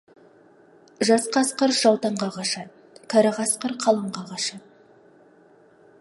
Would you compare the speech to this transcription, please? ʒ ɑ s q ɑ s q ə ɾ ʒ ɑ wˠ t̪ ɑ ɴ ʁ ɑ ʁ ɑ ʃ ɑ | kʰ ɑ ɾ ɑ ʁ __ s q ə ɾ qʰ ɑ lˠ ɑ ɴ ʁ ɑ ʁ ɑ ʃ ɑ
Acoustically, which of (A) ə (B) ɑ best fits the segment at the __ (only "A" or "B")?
B